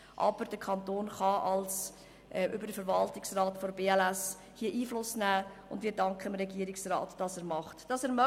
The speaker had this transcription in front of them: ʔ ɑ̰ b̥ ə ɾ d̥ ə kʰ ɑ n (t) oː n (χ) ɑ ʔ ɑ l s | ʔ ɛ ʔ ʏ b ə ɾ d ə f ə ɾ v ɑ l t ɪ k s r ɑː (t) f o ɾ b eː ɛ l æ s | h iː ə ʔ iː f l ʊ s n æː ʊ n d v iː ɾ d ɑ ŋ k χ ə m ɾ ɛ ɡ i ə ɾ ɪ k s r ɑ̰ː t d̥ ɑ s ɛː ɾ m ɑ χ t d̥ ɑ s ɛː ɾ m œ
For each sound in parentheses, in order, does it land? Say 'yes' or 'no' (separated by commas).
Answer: yes, yes, yes